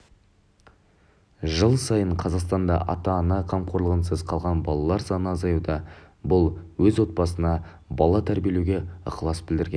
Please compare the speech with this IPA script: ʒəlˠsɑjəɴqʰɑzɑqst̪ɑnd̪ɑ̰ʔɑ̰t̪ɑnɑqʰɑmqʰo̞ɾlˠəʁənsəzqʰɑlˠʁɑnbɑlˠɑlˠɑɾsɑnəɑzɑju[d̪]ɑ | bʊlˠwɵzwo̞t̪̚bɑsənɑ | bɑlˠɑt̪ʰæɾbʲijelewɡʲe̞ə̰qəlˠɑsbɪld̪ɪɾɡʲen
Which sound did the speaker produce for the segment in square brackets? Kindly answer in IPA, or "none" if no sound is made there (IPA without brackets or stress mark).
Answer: d̪